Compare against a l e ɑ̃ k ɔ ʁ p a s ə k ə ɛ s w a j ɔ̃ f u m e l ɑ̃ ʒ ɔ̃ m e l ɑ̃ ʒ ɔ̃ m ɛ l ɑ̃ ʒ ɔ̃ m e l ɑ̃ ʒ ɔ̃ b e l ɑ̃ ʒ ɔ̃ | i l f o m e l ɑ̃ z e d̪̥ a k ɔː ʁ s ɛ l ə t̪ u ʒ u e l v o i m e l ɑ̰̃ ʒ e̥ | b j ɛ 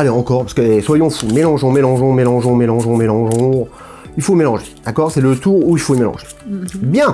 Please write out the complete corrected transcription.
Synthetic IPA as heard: a l e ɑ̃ k ɔ ʁ p a s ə k ə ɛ s w a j ɔ̃ f u m e l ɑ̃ ʒ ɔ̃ m e l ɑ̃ ʒ ɔ̃ m e l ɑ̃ ʒ ɔ̃ m e l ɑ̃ ʒ ɔ̃ m e l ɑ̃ ʒ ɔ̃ | i l f o m e l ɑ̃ ʒ e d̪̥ a k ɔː ʁ s ɛ l ə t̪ u ʁ u i l f o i m e l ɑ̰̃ ʒ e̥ | b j ɛ̃